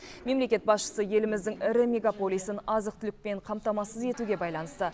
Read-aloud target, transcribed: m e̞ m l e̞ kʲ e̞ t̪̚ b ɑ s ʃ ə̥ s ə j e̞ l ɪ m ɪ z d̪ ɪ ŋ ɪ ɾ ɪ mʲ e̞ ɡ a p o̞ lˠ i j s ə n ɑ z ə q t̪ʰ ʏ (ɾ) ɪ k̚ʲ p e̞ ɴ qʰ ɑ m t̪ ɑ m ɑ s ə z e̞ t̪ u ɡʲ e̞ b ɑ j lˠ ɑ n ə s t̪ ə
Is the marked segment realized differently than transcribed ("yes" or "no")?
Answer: yes